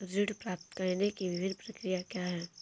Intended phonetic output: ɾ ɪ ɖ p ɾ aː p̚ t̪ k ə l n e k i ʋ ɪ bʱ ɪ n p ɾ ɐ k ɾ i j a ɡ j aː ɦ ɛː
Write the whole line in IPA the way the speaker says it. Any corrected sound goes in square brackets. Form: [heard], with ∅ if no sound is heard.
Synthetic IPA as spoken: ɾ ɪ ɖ p ɾ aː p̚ t̪ k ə [ɾ] n e k i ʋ ɪ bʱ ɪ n p ɾ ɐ k ɾ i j a [k] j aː ɦ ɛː